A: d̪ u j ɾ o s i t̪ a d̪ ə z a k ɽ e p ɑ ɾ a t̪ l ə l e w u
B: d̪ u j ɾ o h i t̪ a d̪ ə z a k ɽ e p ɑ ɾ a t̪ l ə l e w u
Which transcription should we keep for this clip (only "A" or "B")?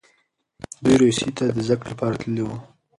A